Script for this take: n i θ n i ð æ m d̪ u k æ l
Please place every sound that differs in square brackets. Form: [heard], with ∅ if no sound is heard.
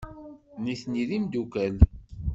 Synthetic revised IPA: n i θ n i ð [i] m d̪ u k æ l